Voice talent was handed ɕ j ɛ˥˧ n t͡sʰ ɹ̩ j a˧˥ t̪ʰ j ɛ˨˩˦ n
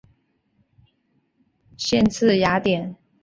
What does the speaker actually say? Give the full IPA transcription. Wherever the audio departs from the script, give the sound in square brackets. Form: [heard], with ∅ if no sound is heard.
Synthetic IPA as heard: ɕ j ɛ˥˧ n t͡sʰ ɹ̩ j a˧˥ [t̪] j ɛ˨˩˦ n